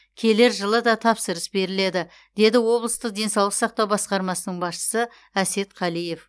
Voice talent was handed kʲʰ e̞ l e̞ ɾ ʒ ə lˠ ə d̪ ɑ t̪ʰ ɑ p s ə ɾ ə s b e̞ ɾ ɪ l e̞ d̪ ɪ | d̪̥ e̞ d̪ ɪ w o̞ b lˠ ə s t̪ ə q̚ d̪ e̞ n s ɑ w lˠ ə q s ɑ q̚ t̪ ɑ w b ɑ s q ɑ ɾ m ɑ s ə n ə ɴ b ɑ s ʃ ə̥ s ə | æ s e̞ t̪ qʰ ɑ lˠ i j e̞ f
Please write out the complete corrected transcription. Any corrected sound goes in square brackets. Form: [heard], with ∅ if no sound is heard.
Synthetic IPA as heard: kʲʰ e̞ l e̞ ɾ ʒ ə lˠ ə d̪ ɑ t̪ʰ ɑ p s ə ɾ ə s b e̞ ɾ ɪ l e̞ d̪ ɪ | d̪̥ e̞ d̪ ɪ w o̞ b lˠ ə s t̪ ə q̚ d̪ e̞ n s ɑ w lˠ ə q s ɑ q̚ t̪ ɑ w b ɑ s q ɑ ɾ m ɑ s ə n ə ɴ b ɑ s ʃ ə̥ s ə | æ s e̞ t̪ qʰ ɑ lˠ i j e̞ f